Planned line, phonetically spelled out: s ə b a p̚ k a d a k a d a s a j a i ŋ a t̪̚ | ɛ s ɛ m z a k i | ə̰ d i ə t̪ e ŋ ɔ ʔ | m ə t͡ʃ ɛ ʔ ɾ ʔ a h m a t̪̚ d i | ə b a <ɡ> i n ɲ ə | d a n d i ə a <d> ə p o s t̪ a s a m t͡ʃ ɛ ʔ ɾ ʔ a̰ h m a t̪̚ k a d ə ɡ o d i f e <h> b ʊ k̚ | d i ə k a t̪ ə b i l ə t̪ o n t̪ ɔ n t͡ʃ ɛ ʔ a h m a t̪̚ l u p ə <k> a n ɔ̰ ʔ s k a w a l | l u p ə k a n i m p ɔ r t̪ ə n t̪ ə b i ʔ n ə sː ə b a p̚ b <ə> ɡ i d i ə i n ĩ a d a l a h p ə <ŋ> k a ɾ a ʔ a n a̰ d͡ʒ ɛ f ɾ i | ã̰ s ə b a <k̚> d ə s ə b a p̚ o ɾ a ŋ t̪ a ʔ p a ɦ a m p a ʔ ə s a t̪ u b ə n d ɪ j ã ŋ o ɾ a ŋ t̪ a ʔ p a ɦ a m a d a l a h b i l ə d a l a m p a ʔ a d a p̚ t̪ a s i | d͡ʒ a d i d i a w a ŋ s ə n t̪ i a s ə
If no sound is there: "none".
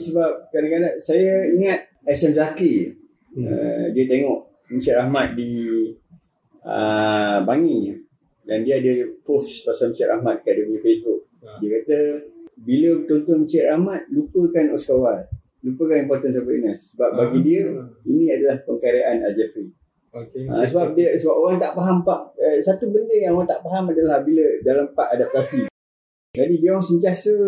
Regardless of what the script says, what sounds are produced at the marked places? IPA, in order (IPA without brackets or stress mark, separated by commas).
ŋ, d, s, k, a, ŋ, p̚